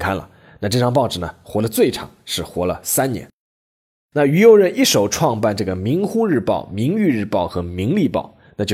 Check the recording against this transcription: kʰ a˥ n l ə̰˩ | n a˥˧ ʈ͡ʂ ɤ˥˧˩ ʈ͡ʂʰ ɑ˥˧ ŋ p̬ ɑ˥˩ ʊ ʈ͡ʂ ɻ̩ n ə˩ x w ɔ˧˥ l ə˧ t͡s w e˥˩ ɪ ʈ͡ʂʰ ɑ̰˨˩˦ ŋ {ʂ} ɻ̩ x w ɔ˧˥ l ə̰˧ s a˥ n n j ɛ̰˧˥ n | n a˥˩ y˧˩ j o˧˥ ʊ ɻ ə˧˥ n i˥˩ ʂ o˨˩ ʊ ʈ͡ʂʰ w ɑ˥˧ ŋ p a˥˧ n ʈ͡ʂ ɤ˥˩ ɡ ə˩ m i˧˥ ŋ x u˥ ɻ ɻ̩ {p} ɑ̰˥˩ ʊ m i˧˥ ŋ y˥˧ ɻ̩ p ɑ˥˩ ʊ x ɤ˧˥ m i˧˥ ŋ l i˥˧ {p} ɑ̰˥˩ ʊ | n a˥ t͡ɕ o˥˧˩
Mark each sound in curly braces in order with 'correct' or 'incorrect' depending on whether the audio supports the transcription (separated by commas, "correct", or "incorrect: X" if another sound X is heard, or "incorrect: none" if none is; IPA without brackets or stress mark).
correct, correct, correct